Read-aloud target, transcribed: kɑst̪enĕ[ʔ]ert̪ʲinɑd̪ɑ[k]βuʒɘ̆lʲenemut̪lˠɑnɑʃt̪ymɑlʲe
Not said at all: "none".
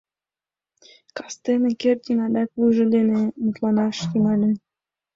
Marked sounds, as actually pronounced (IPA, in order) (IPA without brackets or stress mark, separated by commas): k, k